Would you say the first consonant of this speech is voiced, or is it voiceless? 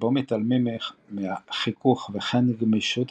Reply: voiced